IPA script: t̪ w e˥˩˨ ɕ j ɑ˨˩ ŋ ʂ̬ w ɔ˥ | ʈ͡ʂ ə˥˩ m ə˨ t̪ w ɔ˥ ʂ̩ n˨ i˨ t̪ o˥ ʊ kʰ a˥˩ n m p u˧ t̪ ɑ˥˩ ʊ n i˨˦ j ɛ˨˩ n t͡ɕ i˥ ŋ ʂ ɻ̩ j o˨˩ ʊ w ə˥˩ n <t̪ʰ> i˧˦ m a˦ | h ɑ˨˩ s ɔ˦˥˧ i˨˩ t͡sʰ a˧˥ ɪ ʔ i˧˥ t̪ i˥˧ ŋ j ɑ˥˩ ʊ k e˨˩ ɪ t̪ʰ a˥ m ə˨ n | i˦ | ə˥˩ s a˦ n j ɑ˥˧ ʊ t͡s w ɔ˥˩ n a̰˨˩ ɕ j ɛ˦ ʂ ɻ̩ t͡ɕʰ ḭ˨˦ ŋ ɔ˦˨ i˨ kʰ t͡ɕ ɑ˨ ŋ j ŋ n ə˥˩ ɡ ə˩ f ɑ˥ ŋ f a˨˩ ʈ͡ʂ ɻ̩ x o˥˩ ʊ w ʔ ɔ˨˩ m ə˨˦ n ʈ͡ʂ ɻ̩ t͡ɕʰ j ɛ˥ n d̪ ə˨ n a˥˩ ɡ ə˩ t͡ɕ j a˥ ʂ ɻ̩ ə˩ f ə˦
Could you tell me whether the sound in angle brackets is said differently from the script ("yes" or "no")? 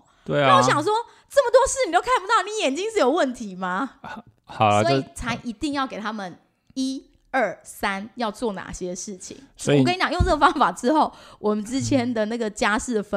no